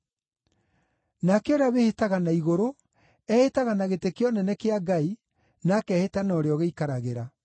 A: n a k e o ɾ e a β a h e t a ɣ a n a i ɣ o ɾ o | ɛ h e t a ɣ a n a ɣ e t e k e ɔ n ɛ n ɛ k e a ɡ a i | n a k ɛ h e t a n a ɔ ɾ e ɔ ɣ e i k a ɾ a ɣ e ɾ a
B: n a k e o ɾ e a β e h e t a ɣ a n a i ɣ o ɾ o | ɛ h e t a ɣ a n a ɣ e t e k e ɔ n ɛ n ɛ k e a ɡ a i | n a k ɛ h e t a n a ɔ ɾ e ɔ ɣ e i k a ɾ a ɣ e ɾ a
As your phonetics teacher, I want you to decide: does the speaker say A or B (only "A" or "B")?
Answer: B